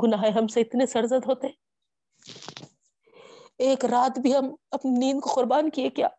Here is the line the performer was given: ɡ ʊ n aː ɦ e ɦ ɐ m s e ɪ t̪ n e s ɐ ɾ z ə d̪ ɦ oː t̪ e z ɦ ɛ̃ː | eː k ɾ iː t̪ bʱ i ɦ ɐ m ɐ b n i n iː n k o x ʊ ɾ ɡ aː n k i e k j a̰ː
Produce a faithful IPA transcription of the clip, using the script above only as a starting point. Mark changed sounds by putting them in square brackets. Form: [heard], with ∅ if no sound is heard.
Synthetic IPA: ɡ ʊ n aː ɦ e ɦ ɐ m s e ɪ t̪ n e s ɐ ɾ z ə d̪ ɦ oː t̪ e [∅] ɦ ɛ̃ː | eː k ɾ [aː] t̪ bʱ i ɦ ɐ m ɐ [p] n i n iː n k o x ʊ ɾ [b] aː n k i e k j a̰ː